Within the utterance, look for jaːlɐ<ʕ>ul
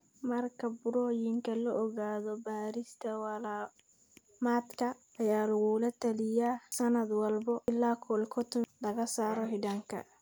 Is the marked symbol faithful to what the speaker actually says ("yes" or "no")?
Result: no